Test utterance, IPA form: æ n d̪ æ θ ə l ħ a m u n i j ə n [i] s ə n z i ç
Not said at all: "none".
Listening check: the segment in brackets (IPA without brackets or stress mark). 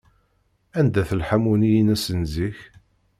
æ